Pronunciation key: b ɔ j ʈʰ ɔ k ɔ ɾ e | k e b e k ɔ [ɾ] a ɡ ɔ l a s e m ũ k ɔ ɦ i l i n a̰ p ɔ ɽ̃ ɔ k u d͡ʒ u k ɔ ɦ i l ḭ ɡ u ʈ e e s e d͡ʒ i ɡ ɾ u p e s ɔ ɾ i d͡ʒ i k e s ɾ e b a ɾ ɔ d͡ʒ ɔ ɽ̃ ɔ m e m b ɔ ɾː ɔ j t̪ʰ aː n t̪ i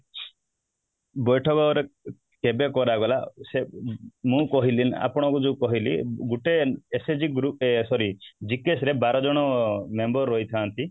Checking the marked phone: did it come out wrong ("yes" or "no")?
no